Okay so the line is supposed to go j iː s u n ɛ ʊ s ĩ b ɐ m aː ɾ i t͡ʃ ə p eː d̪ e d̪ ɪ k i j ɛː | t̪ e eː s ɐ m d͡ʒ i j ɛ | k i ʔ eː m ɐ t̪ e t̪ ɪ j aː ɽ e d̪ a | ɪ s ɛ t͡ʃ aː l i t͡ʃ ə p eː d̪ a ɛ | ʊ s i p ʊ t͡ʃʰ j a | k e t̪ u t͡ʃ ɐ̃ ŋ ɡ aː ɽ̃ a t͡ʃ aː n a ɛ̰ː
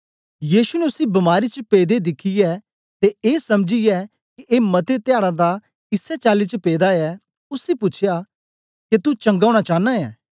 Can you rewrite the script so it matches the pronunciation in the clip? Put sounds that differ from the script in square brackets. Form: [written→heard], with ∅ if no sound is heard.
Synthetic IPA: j iː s u n ɛ ʊ s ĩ b ɐ m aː ɾ i t͡ʃ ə p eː d̪ e d̪ ɪ [k→kʰ] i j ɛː | t̪ e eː s ɐ m d͡ʒ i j ɛ | k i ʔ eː m ɐ t̪ e t̪ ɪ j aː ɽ [e→a] d̪ a | ɪ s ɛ t͡ʃ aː l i t͡ʃ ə p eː d̪ a ɛ | ʊ s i p ʊ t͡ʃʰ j a | k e t̪ u t͡ʃ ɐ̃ ŋ ɡ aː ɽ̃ a t͡ʃ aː n a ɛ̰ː